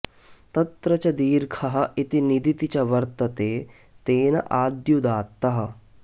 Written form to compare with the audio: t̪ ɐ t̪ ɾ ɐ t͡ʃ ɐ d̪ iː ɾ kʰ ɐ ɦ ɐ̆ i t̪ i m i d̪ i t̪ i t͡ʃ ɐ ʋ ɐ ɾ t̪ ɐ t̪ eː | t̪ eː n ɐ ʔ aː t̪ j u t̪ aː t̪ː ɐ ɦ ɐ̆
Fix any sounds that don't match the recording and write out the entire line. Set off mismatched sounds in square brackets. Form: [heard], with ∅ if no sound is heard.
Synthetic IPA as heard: t̪ ɐ t̪ ɾ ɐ t͡ʃ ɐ d̪ iː ɾ kʰ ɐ ɦ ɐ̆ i t̪ i [n] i d̪ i t̪ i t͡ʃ ɐ ʋ ɐ ɾ t̪ ɐ t̪ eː | t̪ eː n ɐ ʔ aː [d̪] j u [d̪] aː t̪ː ɐ ɦ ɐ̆